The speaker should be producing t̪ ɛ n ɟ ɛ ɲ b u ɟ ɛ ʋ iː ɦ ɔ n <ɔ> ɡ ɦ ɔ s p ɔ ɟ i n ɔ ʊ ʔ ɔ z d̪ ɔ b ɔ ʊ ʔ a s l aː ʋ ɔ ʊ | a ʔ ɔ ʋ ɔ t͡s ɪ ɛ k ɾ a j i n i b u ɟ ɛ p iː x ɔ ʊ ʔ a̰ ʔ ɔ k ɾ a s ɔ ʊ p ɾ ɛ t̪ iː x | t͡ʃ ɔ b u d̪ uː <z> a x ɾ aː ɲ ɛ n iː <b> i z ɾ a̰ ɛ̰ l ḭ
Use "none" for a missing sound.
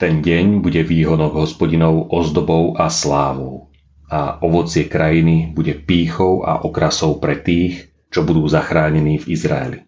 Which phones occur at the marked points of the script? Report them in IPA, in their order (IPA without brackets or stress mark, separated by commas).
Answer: ɔ, z, v